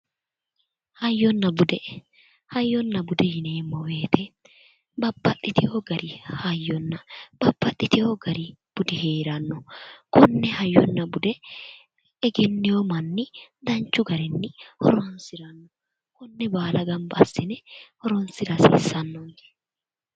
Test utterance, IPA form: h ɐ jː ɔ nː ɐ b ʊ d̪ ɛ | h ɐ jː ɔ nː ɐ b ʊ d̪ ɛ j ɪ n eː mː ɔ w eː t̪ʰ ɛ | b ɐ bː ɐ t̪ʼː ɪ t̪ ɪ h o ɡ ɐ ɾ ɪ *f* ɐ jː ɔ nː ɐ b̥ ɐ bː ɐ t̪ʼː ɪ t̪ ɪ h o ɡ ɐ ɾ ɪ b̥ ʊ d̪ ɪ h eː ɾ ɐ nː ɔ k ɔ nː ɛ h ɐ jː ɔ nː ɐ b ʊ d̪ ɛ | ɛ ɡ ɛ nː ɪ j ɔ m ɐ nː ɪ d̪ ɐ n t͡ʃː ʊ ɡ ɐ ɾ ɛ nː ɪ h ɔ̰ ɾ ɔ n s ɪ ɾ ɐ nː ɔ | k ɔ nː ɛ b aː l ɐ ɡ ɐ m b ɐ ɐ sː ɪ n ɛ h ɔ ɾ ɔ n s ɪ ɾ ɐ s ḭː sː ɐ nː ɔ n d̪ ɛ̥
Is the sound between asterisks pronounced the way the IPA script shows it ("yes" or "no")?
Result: no